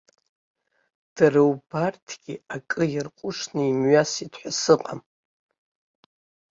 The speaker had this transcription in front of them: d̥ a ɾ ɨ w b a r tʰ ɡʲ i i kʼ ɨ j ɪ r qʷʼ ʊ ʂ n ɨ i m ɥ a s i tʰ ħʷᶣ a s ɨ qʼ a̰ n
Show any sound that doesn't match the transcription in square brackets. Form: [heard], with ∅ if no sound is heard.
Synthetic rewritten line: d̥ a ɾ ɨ w b a r tʰ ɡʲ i [a] kʼ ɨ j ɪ r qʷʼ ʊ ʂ n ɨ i m ɥ a s i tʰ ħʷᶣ a s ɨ qʼ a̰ [m]